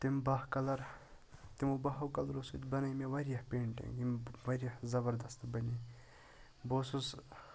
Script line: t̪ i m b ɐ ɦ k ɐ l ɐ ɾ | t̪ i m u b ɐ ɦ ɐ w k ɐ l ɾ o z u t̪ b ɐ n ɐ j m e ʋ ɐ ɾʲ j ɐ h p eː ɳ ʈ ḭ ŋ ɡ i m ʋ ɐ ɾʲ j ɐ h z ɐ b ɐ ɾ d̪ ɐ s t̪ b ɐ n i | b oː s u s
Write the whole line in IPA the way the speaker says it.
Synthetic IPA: t̪ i m b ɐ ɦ k ɐ l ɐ ɾ | t̪ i m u b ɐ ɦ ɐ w k ɐ l ɾ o s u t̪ b ɐ n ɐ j m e ʋ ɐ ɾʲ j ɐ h p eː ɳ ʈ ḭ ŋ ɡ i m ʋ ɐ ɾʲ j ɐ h z ɐ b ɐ ɾ d̪ ɐ s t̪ b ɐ n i | b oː s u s